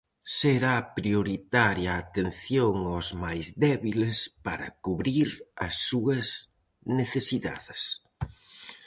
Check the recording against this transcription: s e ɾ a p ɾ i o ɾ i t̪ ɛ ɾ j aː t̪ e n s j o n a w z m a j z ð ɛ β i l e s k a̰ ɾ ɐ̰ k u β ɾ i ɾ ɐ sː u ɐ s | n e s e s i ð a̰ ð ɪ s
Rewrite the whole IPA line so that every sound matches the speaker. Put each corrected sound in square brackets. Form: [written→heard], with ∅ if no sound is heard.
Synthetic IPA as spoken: s e ɾ a p ɾ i o ɾ i t̪ [ɛ→a] ɾ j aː t̪ e n [s→θ] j o [n→ŋ] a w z m a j z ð ɛ β i l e s [k→p] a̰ ɾ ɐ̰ k u β ɾ i ɾ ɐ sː u ɐ s | n e [s→θ] e s i ð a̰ ð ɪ s